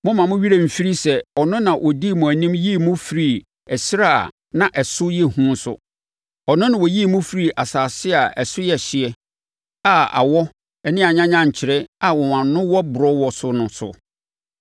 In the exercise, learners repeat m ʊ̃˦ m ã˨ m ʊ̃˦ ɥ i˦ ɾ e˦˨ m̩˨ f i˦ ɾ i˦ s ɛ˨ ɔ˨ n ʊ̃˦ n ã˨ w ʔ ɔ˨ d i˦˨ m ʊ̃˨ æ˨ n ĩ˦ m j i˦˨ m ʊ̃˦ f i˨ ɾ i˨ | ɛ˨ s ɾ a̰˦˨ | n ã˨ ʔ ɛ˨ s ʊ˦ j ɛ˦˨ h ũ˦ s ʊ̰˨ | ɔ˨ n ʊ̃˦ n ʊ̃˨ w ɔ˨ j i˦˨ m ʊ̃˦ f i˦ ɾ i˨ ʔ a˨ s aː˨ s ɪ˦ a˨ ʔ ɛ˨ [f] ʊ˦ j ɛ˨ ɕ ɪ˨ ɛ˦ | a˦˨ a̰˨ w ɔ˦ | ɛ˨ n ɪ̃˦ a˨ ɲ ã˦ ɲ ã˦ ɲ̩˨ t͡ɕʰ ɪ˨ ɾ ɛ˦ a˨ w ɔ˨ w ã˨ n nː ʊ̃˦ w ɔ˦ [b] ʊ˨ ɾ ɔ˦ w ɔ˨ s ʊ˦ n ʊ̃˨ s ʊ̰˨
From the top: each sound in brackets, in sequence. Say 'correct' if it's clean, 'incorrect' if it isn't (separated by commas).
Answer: incorrect, correct